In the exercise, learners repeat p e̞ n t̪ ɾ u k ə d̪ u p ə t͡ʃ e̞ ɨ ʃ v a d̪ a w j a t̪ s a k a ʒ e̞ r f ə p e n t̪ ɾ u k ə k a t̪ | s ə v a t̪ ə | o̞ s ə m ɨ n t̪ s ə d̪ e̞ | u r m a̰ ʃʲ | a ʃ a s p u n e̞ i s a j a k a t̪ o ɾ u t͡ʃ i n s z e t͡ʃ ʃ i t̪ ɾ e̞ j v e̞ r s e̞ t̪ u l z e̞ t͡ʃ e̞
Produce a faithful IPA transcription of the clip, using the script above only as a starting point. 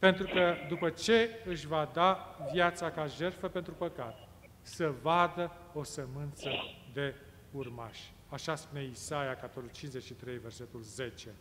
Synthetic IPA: p e̞ n t̪ ɾ u k ə d̪ u p ə t͡ʃ e̞ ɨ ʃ v a d̪ a v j a t̪ s a k a ʒ e̞ r f ə p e n t̪ ɾ u p ə k a t̪ | s ə v a d̪ ə | o̞ s ə m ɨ n t̪ s ə d̪ e̞ | u r m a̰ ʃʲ | a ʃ a s p u n e̞ i s a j a k a t̪ o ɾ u t͡ʃ i n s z e t͡ʃ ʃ i t̪ ɾ e̞ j v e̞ r s e̞ t̪ u l z e̞ t͡ʃ e̞